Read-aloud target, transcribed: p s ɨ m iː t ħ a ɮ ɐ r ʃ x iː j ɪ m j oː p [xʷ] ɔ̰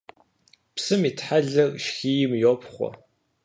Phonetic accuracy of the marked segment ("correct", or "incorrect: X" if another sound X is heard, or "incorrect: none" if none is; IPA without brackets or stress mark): incorrect: χʷ